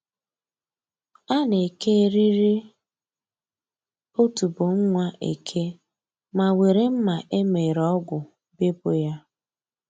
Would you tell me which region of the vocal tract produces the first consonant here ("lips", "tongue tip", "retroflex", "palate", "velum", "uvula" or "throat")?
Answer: tongue tip